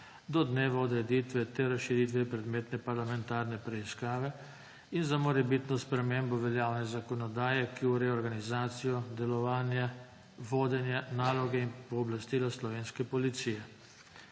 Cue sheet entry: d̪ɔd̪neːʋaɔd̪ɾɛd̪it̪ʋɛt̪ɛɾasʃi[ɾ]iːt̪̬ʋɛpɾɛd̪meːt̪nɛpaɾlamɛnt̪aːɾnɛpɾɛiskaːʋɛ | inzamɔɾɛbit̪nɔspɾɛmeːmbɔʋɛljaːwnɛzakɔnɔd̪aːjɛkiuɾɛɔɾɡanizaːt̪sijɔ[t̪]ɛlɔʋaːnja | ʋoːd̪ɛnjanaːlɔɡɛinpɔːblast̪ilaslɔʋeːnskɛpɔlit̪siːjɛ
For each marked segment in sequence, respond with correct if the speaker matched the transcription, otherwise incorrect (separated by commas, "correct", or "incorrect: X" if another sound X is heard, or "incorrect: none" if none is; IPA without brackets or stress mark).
correct, incorrect: d̪